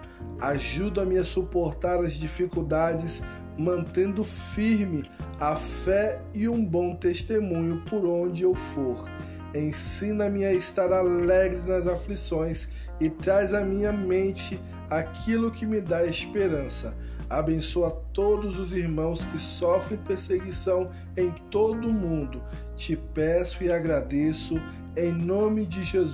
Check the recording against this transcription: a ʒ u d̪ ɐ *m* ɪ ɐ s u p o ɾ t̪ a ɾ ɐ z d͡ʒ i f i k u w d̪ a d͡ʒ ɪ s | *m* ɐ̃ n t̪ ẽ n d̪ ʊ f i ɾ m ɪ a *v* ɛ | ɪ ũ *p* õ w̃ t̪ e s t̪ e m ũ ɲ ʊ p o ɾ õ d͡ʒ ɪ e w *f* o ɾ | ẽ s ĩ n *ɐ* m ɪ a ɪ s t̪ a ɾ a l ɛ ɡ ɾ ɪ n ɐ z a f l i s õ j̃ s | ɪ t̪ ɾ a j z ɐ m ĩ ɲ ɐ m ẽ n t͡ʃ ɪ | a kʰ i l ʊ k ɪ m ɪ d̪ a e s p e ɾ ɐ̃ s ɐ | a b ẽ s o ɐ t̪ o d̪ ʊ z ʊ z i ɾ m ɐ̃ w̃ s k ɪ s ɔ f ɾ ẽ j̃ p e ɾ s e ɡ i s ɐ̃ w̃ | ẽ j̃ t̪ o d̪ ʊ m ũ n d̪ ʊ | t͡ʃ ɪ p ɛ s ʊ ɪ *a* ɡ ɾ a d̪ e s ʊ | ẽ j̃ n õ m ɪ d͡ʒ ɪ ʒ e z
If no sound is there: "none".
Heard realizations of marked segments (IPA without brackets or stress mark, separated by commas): m, m, f, b, f, ɐ, a